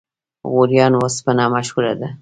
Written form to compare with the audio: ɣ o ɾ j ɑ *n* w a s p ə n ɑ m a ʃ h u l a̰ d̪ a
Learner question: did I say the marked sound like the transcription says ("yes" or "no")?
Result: yes